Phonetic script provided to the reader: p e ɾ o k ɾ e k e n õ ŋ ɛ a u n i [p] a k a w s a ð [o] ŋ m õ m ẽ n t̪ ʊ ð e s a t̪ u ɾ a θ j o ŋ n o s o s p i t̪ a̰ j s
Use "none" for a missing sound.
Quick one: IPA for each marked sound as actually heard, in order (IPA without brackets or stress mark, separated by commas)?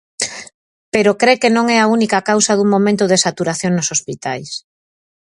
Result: k, u